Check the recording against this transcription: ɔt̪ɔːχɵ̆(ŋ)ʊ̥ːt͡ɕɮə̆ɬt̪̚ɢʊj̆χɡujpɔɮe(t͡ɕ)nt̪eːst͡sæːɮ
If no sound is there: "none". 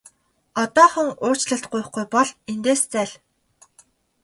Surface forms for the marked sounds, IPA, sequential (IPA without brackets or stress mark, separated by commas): ŋ, none